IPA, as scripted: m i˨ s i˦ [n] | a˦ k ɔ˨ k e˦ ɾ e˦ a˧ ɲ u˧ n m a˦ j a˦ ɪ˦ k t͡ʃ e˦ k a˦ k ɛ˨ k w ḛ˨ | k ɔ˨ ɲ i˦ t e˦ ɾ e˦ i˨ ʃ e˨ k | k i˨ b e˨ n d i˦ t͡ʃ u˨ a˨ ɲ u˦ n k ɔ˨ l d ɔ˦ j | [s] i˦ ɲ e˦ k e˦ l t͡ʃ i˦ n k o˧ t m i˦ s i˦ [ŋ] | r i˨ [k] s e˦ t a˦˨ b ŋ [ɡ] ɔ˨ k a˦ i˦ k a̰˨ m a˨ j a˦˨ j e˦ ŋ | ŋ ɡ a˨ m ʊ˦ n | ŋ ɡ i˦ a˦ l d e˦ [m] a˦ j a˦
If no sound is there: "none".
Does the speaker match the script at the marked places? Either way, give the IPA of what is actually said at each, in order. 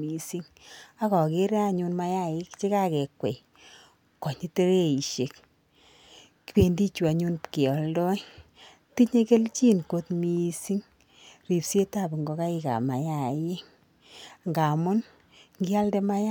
ŋ, t, ŋ, p, ɡ, m

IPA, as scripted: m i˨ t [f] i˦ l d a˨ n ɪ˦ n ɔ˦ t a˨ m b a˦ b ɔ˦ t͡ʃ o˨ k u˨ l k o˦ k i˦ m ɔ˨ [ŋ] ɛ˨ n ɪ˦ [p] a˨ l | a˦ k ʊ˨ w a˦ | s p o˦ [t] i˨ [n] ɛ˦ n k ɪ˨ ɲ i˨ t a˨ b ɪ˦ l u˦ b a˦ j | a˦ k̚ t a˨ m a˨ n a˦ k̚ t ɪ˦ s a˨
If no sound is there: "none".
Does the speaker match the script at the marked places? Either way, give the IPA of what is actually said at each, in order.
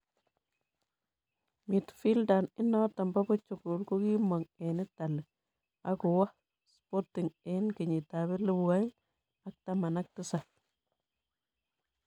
f, ŋ, t, t, ŋ

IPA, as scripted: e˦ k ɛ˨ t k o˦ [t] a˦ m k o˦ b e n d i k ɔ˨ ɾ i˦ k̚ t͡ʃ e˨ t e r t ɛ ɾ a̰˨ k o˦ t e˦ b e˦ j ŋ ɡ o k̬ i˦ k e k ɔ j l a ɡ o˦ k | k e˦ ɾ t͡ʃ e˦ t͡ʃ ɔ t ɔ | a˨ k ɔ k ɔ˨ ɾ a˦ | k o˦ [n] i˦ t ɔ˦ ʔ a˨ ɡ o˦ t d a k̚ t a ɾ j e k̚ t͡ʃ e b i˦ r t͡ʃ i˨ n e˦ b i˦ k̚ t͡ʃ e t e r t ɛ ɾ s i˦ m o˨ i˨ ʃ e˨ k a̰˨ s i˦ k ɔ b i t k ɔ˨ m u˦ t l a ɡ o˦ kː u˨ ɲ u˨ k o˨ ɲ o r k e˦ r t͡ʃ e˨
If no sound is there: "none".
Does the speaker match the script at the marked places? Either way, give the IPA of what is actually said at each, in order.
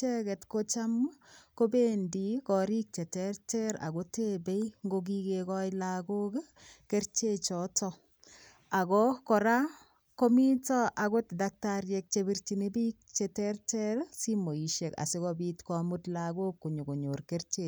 t͡ʃ, m

